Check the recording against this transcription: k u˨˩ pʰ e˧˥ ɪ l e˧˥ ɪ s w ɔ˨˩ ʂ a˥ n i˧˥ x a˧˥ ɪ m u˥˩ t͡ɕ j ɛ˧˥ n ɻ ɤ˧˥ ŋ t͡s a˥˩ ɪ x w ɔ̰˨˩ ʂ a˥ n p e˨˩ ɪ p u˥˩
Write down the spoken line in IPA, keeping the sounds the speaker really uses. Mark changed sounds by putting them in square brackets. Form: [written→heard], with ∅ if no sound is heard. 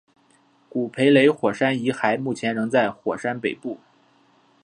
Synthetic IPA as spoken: k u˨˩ pʰ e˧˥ ɪ l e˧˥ ɪ [s→x] w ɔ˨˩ ʂ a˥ n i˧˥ x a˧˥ ɪ m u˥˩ [t͡ɕ→t͡ɕʰ] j ɛ˧˥ n ɻ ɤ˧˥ ŋ t͡s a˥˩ ɪ x w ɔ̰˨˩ ʂ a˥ n p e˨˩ ɪ p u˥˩